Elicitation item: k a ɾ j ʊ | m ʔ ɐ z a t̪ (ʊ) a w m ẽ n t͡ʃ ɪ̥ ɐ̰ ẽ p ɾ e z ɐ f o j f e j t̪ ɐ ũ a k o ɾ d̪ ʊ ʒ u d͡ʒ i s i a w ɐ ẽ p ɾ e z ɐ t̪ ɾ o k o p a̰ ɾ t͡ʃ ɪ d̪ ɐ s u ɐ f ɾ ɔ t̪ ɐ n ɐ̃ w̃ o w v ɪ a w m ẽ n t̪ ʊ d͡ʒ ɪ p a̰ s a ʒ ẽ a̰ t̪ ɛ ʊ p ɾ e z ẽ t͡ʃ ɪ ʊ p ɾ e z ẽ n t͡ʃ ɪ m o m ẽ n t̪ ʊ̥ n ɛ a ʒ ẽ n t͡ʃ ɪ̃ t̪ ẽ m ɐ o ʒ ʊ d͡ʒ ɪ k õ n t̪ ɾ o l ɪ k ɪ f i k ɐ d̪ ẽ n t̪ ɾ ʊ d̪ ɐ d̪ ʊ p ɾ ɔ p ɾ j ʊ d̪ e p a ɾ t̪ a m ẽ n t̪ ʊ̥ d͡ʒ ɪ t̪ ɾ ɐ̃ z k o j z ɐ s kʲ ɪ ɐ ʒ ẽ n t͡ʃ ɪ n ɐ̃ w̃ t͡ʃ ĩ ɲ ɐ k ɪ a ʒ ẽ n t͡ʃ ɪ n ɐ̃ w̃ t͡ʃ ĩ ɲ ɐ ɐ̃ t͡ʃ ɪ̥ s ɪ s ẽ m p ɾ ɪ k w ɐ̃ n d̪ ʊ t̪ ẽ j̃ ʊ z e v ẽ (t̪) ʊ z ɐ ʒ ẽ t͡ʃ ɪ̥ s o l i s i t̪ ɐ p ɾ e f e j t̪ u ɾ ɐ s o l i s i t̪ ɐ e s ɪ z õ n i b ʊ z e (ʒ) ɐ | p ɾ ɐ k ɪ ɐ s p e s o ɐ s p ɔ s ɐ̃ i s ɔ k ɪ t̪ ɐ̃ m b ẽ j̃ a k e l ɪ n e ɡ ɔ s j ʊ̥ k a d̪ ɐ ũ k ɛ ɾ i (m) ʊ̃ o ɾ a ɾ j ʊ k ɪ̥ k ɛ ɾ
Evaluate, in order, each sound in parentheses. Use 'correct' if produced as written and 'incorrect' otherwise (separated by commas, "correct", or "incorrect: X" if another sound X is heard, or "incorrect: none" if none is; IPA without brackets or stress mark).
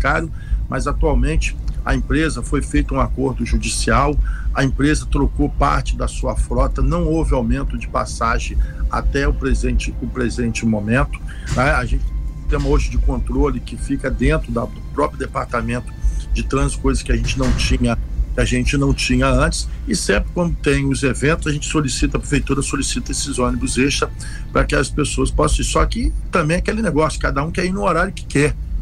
incorrect: u, correct, incorrect: ʃ, incorrect: n